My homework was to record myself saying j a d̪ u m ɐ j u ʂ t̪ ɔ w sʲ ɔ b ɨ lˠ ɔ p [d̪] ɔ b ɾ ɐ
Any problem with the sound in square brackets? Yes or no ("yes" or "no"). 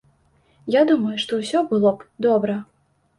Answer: no